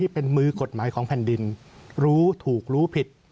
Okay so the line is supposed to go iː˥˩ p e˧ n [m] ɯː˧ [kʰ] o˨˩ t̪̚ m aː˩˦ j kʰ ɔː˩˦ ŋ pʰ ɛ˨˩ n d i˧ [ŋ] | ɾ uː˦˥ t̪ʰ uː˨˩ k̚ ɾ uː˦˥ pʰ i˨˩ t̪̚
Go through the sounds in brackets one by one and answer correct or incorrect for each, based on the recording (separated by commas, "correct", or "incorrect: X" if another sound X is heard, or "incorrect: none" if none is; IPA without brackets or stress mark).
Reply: correct, incorrect: k, incorrect: n